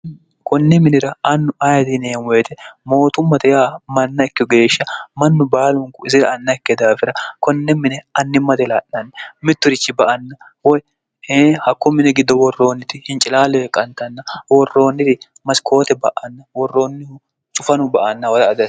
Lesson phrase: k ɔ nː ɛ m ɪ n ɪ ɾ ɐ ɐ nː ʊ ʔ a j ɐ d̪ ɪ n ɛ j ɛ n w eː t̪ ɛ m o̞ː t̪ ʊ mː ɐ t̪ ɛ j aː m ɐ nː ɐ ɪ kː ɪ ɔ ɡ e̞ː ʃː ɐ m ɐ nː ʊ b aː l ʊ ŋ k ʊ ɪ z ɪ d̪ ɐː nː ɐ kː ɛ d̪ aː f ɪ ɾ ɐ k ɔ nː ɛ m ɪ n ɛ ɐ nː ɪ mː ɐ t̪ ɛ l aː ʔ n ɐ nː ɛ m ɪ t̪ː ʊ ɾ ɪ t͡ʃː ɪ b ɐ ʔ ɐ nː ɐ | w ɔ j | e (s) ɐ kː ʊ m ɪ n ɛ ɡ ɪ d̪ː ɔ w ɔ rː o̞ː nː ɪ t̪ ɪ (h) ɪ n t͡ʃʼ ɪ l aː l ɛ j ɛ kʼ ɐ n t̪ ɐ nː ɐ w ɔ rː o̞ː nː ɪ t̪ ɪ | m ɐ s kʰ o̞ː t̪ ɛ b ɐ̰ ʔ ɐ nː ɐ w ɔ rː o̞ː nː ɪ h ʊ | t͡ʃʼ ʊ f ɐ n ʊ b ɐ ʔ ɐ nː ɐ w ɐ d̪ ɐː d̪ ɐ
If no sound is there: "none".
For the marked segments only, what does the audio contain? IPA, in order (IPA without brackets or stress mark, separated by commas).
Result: h, h